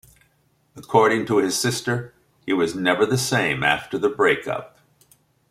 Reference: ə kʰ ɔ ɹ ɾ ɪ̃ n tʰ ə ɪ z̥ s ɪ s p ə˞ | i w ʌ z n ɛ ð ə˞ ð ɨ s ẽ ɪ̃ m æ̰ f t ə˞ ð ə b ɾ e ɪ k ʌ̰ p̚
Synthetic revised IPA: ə kʰ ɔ ɹ ɾ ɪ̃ ŋ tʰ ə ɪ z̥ s ɪ s t ə˞ | i w ʌ z n ɛ v ə˞ ð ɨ s ẽ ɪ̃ m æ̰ f t ə˞ ð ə b ɹ e ɪ k ʌ̰ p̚